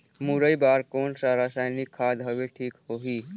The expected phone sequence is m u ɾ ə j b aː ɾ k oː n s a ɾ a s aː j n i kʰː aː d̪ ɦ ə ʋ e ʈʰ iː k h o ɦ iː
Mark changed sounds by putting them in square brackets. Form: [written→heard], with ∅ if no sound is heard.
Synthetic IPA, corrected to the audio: m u ɾ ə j b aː ɾ k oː n s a ɾ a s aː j n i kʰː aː d̪ ɦ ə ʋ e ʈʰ iː k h o ɦ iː